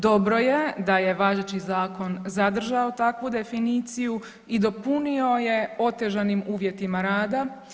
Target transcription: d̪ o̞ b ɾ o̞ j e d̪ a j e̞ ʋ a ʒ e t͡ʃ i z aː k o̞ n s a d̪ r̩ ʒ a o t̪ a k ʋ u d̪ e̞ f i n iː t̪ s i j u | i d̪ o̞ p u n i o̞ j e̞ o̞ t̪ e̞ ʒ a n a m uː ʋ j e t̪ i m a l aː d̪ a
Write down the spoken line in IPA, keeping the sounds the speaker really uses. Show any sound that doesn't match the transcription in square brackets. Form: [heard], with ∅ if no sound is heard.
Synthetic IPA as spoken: d̪ o̞ b ɾ o̞ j e d̪ a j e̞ ʋ a ʒ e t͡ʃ i z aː k o̞ n [z] a d̪ r̩ ʒ a o t̪ a k ʋ u d̪ e̞ f i n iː t̪ s i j u | i d̪ o̞ p u n i o̞ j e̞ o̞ t̪ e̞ ʒ a n [i] m uː ʋ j e t̪ i m a [ɾ] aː d̪ a